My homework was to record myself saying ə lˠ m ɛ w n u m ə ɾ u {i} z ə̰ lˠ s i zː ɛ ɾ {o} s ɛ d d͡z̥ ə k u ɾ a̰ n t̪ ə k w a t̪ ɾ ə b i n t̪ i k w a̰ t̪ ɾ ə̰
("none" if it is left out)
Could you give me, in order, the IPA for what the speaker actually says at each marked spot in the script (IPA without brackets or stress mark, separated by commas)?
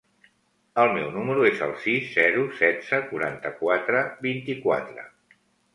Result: e, u